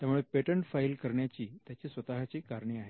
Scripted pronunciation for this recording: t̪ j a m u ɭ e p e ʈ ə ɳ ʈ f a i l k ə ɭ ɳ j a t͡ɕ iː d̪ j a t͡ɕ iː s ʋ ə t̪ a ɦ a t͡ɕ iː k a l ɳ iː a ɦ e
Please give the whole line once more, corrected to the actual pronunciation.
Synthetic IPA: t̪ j a m u ɭ e p e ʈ ə ɳ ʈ f a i l k ə ɾ ɳ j a t͡ɕ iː t̪ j a t͡ɕ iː s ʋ ə t̪ a ɦ a t͡ɕ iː k a ɾ ɳ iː a ɦ e

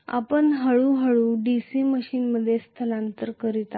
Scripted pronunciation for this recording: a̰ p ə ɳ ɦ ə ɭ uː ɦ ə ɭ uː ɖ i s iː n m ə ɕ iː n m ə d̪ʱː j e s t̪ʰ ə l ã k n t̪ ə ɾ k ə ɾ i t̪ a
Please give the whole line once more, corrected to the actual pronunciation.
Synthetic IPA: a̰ p ə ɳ ɦ ə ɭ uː ɦ ə ɭ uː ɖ i s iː m ə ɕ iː n m ə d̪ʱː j e s t̪ʰ ə l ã n t̪ ə ɾ k ə ɾ i t̪ a

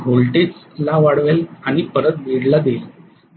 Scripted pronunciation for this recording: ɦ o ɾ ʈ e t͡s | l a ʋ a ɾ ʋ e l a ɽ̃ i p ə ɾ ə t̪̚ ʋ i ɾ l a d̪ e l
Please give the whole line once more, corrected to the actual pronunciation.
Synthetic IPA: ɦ o l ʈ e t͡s | l a ʋ a ɽ ʋ e l a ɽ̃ i p ə ɾ ə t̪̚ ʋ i ɽ l a d̪ e l

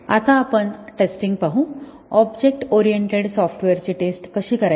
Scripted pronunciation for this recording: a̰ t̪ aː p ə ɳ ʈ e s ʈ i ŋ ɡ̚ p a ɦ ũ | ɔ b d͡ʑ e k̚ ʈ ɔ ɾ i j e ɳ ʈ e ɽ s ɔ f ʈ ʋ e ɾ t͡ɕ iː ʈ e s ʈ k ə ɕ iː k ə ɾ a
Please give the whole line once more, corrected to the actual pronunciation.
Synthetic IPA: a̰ t̪ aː p ə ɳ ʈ e s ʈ i ŋ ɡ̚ p a ɦ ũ | ɔ b d͡ʑ e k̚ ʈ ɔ ɾ i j e ɳ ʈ e ɽ s ɔ f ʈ ʋ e ɾ t͡ɕ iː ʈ e s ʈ k ə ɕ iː k ə ɾ a

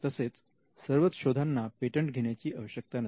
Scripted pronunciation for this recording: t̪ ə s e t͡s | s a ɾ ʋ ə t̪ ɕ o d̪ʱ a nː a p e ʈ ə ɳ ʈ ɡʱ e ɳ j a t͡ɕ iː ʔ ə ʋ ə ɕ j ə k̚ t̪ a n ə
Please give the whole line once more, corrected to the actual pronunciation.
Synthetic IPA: t̪ ə s e t͡s | s ə ɾ ʋ ə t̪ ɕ o d̪ʱ a nː a p e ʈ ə ɳ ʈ ɡʱ e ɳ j a t͡ɕ iː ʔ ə ʋ ə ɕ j ə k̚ t̪ a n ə

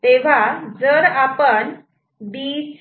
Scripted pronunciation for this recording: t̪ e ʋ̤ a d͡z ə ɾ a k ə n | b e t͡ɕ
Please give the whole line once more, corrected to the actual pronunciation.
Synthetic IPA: t̪ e ʋ̤ a d͡z ə ɾ a p ə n | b i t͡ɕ

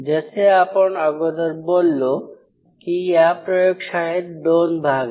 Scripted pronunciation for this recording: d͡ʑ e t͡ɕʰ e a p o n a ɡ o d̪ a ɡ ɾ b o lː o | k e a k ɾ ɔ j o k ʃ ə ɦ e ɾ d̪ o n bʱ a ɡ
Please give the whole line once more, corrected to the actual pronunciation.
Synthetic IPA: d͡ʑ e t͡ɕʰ e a p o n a ɡ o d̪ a ɾ b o lː o | k i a p ɾ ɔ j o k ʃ a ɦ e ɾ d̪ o n bʱ a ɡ

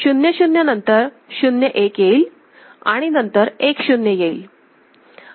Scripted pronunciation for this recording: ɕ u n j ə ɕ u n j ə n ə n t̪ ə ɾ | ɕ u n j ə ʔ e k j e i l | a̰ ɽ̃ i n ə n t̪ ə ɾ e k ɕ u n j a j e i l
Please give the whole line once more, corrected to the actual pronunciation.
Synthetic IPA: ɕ u n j ə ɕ u n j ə n ə n t̪ ə ɾ | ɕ u n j ə ʔ e k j e i l | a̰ ɽ̃ i n ə n t̪ ə ɾ e k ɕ u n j ə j e i l

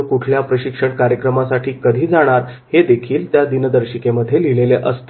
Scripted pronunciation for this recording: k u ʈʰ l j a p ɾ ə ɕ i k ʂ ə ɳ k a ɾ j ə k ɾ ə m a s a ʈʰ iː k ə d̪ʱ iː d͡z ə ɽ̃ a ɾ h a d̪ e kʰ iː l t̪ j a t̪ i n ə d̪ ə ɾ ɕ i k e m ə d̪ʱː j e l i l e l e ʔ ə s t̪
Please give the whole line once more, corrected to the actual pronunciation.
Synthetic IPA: k u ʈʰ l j a p ɾ ə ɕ i k ʂ ə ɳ k a ɾ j ə k ɾ ə m a s a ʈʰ iː k ə d̪ʱ iː d͡z a ɽ̃ a ɾ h e d̪ e kʰ iː l t̪ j a d̪ i n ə d̪ ə ɾ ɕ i k e m ə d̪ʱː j e l i l e l e ʔ ə s t̪

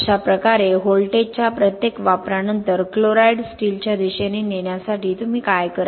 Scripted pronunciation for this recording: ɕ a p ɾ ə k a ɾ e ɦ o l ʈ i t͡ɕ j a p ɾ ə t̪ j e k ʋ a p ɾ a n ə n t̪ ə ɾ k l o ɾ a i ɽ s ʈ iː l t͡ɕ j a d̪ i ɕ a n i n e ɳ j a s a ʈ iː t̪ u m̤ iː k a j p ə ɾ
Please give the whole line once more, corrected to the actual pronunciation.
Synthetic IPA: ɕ a p ɾ ə k a ɾ e ɦ o l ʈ e t͡ɕ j a p ɾ ə t̪ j e k ʋ a p ɾ a n ə n t̪ ə ɾ k l o ɾ a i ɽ s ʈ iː l t͡ɕ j a d̪ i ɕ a n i n e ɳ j a s a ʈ iː t̪ u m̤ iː k a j k ə ɾ

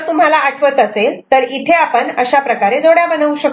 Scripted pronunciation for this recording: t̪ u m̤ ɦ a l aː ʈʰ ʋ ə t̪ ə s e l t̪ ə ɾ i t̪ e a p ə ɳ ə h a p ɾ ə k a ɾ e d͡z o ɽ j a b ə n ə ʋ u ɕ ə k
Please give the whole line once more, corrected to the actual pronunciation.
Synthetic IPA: t̪ u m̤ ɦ a l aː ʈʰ ʋ ə t̪ ə s e l t̪ ə ɾ i t̪ʰ e a p ə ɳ ə ɕ a p ɾ ə k a ɾ e d͡z o ɽ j a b ə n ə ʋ u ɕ ə k

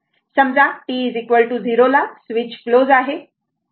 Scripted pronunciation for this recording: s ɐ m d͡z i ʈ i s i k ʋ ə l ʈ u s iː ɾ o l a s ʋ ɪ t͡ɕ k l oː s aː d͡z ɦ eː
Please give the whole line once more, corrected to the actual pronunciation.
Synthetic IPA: s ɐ m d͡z a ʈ i z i k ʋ ə l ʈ u z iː ɾ o l a s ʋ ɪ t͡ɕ k l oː z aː ɦ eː

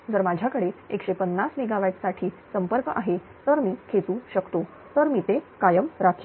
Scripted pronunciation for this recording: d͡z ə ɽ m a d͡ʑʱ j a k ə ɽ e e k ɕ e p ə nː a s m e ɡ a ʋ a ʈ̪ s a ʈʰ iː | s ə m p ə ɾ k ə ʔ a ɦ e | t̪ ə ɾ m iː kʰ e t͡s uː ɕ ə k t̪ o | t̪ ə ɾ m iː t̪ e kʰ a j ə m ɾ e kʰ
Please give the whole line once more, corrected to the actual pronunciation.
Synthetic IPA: d͡z ə ɾ m a d͡ʑʱ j a k ə ɽ e e k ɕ e p ə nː a s m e ɡ a ʋ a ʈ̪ s a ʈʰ iː | s ə m p ə ɾ k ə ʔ a ɦ e | t̪ ə ɾ m iː kʰ e t͡s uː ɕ ə k t̪ o | t̪ ə ɾ m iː t̪ e k a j ə m ɾ a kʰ

